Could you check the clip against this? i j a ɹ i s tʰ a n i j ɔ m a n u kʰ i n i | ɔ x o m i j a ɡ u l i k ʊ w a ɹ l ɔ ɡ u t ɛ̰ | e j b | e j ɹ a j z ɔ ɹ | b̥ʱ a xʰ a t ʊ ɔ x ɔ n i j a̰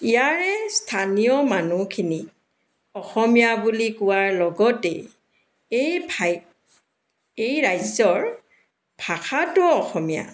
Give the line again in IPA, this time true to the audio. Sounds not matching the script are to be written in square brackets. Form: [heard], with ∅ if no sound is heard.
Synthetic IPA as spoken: i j a ɹ [ɛ] s tʰ a n i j ɔ m a n u kʰ i n i | ɔ x [ɔ] m i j a [b] u l i k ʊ w a ɹ l ɔ ɡ [ɔ] t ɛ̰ | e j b | e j ɹ a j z ɔ ɹ | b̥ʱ a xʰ a t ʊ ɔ x ɔ [m] i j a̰